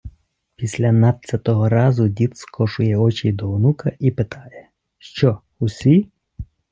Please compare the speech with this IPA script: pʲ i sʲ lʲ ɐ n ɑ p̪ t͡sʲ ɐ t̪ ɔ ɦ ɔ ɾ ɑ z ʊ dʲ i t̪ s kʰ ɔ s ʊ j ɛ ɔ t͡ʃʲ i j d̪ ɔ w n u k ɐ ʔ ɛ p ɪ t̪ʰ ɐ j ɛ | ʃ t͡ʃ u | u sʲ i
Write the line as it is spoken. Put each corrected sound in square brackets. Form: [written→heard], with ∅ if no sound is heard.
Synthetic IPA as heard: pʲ i sʲ lʲ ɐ n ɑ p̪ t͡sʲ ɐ t̪ ɔ ɦ ɔ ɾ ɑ z ʊ dʲ i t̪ s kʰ ɔ [s→ʃ] ʊ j ɛ ɔ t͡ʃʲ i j d̪ ɔ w n u k ɐ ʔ [ɛ→i] p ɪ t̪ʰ [ɐ→ɑ] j ɛ | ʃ t͡ʃ [u→ɔ] | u sʲ i